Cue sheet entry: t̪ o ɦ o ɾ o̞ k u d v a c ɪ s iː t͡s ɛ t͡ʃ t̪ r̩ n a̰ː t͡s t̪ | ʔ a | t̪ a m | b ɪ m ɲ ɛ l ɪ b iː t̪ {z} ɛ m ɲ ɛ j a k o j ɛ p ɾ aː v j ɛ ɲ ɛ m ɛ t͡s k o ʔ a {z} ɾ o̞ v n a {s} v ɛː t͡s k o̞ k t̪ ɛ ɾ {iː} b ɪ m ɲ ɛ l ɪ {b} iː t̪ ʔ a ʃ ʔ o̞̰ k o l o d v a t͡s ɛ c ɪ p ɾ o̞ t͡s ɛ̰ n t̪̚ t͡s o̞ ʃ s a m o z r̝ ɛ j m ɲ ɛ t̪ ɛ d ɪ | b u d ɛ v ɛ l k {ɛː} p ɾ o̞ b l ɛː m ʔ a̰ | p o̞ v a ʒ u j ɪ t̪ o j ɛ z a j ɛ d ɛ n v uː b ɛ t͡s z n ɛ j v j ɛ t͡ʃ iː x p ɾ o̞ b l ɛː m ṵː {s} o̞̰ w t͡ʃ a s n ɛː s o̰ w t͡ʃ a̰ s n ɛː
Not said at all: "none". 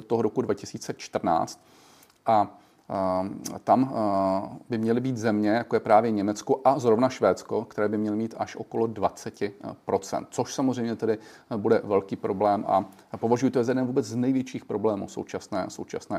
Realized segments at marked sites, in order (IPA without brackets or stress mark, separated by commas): z, z, ʃ, ɛː, m, iː, s